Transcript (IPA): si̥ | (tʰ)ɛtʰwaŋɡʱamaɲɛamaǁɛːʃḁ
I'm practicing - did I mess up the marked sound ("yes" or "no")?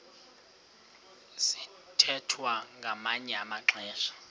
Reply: no